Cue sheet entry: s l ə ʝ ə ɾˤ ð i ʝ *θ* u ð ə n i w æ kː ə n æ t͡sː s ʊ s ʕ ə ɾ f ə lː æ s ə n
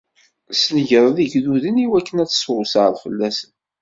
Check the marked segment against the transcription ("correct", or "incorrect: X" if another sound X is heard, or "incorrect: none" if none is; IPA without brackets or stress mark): incorrect: ð